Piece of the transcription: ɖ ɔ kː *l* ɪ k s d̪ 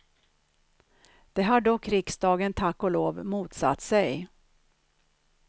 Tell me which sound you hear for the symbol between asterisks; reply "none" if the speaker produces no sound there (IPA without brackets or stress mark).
ɾ